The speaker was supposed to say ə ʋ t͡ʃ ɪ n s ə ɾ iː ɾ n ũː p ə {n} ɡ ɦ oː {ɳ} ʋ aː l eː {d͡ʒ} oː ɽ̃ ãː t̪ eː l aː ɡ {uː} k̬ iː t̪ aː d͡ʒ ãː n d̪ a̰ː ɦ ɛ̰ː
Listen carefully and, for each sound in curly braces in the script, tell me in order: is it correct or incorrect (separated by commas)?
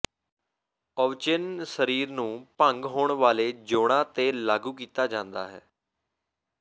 incorrect, correct, correct, correct